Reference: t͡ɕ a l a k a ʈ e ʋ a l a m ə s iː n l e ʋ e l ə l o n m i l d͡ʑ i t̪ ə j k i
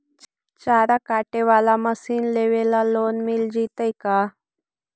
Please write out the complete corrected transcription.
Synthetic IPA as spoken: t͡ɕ a ɾ a k a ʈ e ʋ a l a m ə s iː n l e ʋ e l a l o n m i l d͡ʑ i t̪ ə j k a